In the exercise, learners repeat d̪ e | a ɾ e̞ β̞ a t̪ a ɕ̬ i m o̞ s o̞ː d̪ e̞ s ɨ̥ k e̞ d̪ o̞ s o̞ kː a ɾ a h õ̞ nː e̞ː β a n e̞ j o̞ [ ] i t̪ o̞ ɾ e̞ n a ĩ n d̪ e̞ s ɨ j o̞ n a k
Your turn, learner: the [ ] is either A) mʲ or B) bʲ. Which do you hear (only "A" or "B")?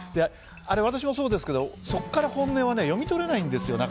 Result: A